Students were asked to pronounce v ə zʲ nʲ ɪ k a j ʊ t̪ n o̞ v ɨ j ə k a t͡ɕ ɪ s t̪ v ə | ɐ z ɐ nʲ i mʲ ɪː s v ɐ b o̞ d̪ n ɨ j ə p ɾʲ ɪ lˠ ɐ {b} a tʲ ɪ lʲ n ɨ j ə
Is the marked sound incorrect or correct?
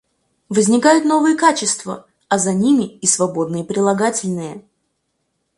incorrect